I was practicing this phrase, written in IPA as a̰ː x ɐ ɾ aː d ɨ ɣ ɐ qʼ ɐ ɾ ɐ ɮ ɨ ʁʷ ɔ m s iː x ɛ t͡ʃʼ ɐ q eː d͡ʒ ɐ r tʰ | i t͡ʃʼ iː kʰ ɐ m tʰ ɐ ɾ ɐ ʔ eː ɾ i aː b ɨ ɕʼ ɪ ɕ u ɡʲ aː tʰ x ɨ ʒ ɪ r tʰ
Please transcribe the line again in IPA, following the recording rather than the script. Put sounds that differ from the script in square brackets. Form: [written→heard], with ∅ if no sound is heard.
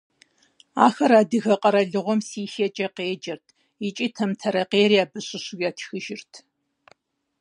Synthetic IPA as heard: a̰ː x ɐ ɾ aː d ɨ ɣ ɐ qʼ ɐ ɾ ɐ ɮ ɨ ʁʷ ɔ m s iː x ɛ t͡ʃʼ ɐ q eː d͡ʒ ɐ r tʰ | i t͡ʃʼ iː [kʰ→tʰ] ɐ m tʰ ɐ ɾ ɐ [ʔ→q] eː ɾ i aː b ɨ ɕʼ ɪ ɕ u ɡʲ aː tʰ x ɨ ʒ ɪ r tʰ